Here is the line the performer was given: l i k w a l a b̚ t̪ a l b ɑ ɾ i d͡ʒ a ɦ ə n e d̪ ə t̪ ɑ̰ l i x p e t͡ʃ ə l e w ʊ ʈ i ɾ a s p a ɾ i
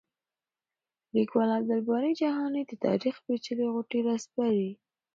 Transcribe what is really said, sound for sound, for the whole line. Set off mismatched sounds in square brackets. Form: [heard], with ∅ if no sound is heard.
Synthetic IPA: l i k w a l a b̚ [d̪] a l b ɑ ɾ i d͡ʒ a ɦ [ɑ] n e d̪ ə t̪ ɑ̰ [ɾ] i x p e t͡ʃ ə l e [ɣ] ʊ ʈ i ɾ a s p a ɾ i